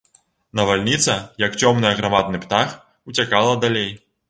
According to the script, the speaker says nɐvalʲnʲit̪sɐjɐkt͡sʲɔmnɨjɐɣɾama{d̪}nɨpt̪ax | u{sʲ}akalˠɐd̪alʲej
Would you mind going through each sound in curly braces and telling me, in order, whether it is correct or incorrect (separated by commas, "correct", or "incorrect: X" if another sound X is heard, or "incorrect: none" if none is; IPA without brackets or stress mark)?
correct, incorrect: t͡sʲ